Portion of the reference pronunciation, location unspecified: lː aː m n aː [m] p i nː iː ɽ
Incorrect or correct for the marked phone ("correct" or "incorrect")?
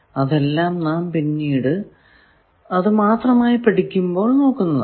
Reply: correct